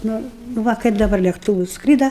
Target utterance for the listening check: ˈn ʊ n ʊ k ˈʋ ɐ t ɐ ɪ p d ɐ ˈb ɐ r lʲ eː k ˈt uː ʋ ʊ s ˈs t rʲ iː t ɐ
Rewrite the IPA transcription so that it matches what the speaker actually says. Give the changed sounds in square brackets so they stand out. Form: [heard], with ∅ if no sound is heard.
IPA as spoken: ˈn ʊ n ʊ [∅] ˈʋ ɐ [k] ɐ ɪ p d ɐ ˈb ɐ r lʲ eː k ˈt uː ʋ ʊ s ˈs [k] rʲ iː [d] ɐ